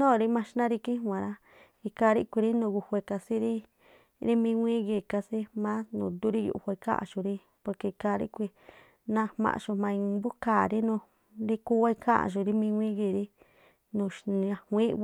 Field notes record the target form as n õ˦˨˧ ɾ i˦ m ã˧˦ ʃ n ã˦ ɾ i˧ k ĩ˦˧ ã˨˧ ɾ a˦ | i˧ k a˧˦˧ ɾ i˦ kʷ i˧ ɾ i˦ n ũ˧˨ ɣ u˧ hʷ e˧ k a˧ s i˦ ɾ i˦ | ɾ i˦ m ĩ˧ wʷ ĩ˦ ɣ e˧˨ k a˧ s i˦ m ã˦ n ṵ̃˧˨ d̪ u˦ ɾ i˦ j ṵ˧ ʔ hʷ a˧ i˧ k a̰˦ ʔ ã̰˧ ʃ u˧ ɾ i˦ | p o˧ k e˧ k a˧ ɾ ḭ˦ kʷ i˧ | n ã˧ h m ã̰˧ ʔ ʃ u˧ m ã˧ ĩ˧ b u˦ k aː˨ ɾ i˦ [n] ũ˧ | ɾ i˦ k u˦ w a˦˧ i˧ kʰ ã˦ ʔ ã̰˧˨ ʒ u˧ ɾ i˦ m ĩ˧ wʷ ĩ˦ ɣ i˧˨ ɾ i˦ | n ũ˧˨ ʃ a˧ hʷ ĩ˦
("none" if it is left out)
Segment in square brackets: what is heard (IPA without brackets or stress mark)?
n